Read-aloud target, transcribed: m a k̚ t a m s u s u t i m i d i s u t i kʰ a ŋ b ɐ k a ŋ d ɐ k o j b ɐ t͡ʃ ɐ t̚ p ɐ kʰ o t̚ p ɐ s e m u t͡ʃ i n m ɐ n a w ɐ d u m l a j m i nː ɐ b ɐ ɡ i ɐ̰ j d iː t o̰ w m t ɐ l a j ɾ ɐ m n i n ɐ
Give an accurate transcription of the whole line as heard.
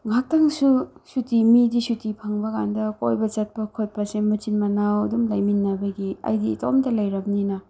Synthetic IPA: ŋ a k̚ t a ŋ s u s u t i m i d i s u t i pʰ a ŋ b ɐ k a n d ɐ k o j b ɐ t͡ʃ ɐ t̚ p ɐ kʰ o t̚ p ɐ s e m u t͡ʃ i n m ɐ n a w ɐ d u m l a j m i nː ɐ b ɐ ɡ i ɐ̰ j d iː t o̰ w m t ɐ l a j ɾ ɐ m n i n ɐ

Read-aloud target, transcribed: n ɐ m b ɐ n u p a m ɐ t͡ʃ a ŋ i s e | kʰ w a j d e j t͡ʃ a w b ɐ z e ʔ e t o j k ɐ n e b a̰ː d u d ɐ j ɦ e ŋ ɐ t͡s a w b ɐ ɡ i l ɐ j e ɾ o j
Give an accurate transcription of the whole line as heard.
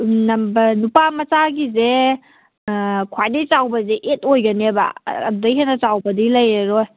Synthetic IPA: n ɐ m b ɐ n u p a m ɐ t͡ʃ a ɡ i z e | kʰ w a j d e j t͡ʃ a w b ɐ z e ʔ e t o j ɡ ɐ n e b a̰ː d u d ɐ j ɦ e n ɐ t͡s a w b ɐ d i l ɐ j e ɾ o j

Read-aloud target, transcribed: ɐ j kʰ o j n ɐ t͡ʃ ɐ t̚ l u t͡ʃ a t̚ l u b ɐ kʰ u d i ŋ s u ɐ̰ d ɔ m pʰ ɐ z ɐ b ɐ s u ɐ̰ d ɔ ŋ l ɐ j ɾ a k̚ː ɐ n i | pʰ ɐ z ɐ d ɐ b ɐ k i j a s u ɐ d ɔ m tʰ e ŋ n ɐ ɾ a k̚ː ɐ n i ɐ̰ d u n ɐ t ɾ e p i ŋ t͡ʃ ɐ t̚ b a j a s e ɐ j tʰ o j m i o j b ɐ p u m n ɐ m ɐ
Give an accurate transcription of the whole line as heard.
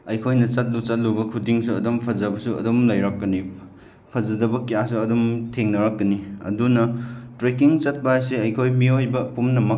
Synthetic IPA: ɐ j kʰ o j n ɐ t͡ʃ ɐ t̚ l u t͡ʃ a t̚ l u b ɐ kʰ u d i ŋ s u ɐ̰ d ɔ m pʰ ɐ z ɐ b ɐ s u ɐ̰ d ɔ m l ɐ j ɾ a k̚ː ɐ n i | pʰ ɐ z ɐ d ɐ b ɐ k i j a s u ɐ d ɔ m tʰ e ŋ n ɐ ɾ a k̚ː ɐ n i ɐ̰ d u n ɐ t ɾ e k i ŋ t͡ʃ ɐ t̚ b a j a s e ɐ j kʰ o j m i o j b ɐ p u m n ɐ m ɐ

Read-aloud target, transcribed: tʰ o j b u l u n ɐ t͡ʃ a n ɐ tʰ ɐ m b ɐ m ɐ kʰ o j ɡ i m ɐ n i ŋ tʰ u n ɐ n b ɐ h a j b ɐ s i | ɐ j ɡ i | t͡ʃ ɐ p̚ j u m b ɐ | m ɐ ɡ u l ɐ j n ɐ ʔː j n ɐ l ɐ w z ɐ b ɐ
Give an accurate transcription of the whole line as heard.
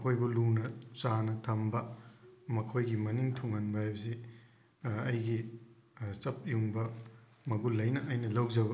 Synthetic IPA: kʰ o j b u l u n ɐ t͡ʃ a n ɐ tʰ ɐ m b ɐ m ɐ kʰ o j ɡ i m ɐ n i ŋ tʰ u ŋ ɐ n b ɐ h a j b ɐ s i | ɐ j ɡ i | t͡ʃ ɐ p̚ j u ŋ b ɐ | m ɐ ɡ u l ɐ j n ɐ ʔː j n ɐ l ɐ w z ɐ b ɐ

